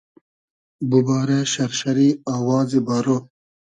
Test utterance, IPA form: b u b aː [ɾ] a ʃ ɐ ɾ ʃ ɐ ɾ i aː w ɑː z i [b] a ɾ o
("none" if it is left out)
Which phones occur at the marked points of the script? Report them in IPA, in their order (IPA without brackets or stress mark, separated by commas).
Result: ɾ, b